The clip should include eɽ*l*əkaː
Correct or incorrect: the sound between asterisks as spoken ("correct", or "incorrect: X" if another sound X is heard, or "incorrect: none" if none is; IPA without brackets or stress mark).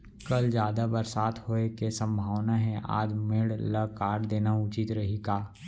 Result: correct